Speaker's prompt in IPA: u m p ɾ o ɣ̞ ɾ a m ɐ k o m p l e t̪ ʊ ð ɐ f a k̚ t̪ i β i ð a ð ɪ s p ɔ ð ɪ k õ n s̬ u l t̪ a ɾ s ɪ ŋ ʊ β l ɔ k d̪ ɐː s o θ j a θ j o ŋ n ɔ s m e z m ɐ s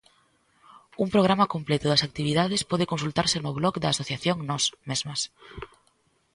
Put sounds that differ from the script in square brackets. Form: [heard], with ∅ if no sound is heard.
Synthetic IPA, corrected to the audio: u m p ɾ o ɣ̞ ɾ a m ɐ k o m p l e t̪ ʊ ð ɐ [s] a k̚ t̪ i β i ð a ð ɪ s p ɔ ð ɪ k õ n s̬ u l t̪ a ɾ s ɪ [n] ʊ β l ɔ k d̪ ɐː s o θ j a θ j o ŋ n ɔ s m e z m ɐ s